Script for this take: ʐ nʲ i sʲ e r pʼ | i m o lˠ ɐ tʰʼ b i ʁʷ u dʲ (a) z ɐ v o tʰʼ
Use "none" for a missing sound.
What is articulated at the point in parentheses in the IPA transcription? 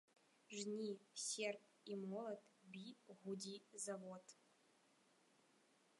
i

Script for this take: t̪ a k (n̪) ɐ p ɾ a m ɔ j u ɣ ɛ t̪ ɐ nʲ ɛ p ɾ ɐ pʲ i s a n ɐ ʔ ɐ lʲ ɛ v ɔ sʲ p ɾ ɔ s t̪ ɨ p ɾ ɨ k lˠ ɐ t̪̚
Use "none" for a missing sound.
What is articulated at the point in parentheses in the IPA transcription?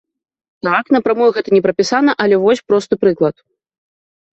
n̪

